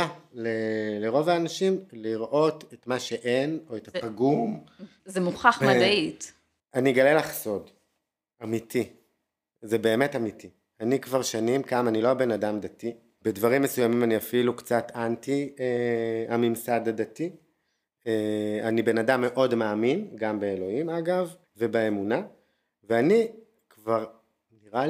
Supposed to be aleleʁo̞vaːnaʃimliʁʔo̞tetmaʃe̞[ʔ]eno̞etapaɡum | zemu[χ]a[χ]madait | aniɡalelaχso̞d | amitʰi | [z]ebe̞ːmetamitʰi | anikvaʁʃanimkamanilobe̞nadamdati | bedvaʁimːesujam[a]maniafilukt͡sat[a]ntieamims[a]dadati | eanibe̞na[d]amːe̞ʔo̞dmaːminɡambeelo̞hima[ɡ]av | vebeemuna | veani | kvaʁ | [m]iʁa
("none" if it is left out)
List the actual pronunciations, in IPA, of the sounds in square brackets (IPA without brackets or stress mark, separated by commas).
ʔ, χ, χ, z, i, a, a, d, ɡ, n